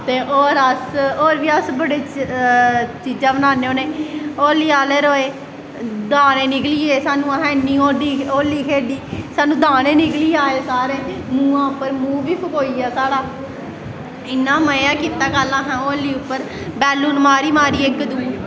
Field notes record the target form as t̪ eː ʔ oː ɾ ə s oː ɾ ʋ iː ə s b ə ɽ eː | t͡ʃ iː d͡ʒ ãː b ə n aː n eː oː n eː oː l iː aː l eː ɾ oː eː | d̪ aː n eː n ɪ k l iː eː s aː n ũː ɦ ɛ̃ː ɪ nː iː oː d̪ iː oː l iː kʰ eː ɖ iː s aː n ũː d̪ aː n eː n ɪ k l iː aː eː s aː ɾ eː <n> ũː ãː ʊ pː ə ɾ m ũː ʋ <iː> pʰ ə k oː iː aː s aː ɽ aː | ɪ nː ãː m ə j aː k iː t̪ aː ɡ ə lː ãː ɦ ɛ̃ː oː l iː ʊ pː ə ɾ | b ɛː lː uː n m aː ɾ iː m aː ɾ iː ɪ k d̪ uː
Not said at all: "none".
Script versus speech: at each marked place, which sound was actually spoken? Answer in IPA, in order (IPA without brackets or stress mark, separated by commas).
m, iː